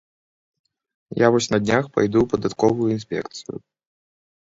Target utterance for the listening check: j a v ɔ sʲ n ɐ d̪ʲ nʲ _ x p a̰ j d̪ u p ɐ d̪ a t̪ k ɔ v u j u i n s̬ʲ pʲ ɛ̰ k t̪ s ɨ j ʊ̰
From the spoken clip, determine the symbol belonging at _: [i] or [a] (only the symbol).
a